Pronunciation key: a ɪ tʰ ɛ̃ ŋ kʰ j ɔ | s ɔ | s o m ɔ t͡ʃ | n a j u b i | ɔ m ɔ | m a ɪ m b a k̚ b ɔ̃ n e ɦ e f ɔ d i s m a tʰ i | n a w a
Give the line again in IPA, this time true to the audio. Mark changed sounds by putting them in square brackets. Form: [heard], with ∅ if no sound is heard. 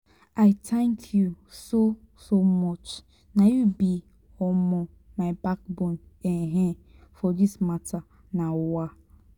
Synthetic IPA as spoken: a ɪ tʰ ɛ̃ ŋ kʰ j [u] | s [o] | s o m ɔ t͡ʃ | n a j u b i | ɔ m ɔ | m a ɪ [∅] b a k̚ b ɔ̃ n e ɦ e f ɔ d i s m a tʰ [a] | n a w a